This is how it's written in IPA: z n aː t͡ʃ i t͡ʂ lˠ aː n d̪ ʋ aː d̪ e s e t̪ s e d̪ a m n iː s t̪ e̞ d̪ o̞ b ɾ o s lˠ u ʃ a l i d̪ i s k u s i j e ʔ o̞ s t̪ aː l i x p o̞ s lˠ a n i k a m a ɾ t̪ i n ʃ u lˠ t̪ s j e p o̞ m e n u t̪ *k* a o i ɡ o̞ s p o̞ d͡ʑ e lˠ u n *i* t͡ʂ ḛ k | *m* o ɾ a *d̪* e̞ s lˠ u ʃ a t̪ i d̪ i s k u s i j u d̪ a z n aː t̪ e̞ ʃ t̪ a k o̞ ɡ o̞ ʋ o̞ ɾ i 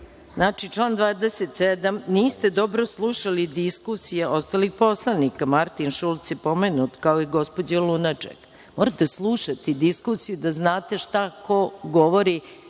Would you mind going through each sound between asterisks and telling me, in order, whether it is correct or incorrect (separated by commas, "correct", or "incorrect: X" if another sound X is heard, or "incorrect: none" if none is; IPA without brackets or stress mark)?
correct, incorrect: a, correct, incorrect: t̪